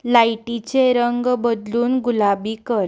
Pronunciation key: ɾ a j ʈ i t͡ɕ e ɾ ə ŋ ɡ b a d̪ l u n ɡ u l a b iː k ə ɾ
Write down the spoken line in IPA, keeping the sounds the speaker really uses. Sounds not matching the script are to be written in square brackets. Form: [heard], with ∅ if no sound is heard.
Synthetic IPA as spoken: [l] a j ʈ i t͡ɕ e ɾ ə ŋ ɡ b [ə] d̪ l [uː] n ɡ u l a b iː k ə ɾ

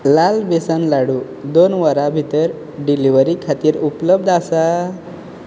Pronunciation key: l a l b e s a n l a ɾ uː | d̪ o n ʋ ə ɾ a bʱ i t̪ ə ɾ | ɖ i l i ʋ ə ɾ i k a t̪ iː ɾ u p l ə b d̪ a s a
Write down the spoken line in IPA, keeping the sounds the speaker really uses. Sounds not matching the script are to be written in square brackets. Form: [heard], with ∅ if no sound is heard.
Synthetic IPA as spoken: l a l b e s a n l a [ɽ] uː | d̪ o n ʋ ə ɾ a bʱ i t̪ ə ɾ | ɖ i l i ʋ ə ɾ i [kʰ] a t̪ iː ɾ u p l ə b d̪ a s a

